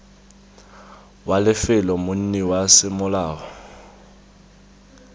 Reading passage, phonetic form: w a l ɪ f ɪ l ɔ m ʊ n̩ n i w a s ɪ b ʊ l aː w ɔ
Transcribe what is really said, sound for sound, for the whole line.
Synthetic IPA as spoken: w a l ɪ f ɪ l ɔ m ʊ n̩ n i w a s ɪ m ʊ l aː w ɔ